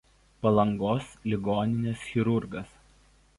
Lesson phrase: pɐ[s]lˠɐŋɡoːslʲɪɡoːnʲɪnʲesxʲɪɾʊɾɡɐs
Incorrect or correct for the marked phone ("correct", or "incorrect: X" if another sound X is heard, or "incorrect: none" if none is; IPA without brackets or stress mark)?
incorrect: none